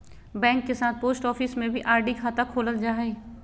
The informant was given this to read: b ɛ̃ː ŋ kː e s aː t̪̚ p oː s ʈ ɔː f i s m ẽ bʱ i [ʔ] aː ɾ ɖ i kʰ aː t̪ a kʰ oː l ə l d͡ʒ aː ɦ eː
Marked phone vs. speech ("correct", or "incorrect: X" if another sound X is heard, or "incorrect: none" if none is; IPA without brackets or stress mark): correct